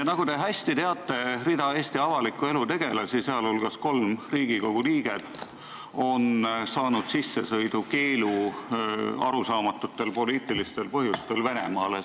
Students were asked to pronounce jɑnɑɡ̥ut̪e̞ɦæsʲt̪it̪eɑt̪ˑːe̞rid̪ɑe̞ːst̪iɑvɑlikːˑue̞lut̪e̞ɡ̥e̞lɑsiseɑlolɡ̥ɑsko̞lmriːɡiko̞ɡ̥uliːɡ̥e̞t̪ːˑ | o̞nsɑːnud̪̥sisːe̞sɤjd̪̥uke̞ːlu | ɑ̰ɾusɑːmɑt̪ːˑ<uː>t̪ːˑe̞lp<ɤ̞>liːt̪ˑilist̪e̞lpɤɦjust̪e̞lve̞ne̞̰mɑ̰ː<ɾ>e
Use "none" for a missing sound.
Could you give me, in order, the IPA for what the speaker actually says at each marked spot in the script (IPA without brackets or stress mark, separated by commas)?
u, o̞, l